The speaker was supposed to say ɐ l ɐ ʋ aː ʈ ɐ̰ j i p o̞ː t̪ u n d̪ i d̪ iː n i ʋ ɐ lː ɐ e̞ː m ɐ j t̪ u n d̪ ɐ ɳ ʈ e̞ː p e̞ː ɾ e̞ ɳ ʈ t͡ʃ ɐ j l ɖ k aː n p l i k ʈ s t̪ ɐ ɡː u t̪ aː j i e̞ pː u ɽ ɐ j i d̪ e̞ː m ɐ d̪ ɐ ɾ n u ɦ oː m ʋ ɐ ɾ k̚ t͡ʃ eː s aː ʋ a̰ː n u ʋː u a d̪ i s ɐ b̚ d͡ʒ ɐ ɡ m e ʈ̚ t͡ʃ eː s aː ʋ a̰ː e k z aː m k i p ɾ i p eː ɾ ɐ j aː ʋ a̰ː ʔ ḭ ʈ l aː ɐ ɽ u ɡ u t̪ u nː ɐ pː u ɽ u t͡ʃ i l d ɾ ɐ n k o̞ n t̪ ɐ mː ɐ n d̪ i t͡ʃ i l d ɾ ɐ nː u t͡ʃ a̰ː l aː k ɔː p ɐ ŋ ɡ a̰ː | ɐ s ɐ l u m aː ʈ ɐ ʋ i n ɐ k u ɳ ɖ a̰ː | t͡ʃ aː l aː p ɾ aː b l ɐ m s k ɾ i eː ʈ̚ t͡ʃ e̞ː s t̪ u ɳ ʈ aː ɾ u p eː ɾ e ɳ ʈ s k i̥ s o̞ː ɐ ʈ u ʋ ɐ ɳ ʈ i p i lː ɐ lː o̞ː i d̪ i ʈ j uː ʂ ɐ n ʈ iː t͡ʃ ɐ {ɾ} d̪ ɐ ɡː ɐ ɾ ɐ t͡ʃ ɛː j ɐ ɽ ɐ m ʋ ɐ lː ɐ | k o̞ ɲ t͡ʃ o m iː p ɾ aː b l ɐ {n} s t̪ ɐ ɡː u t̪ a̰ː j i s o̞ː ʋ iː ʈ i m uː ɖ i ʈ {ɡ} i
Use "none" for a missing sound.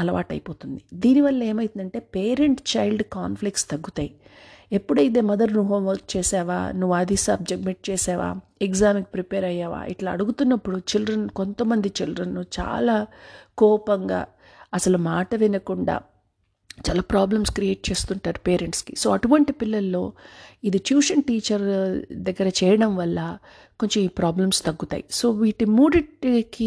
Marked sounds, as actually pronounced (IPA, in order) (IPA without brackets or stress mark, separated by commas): ɾ, m, k